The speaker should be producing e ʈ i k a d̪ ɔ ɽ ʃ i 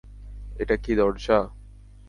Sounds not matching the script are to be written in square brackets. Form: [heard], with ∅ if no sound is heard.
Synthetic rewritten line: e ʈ [a] k [i] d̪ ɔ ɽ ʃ [a]